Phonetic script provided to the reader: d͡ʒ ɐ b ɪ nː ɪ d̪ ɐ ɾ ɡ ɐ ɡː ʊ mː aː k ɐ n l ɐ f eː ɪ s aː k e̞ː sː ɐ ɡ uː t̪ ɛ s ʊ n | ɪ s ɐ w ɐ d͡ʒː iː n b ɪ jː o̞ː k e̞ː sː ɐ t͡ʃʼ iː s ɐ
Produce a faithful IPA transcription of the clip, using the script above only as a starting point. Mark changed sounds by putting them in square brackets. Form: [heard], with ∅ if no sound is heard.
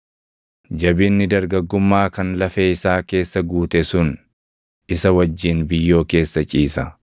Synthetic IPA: d͡ʒ ɐ b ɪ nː ɪ d̪ ɐ ɾ ɡ ɐ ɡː ʊ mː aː k ɐ n l ɐ f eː ɪ s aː k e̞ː sː ɐ ɡ uː t̪ ɛ s ʊ n | ɪ s ɐ w ɐ d͡ʒː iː n b ɪ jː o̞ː k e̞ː sː ɐ t͡ʃʼ iː s ɐ